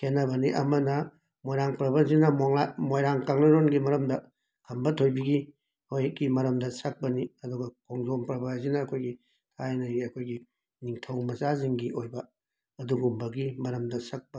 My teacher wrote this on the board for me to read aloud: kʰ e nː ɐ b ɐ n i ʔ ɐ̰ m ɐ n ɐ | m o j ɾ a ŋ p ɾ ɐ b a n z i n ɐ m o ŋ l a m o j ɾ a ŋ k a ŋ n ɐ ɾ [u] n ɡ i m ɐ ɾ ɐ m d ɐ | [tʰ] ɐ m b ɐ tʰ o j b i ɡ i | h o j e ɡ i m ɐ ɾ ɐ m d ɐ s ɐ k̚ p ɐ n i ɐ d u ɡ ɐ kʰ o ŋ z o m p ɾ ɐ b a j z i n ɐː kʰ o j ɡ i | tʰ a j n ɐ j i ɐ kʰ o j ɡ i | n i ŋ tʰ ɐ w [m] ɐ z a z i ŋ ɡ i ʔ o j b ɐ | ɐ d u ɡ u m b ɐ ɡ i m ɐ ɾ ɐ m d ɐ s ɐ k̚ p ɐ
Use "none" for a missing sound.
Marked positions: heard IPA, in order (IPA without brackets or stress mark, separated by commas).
o, kʰ, m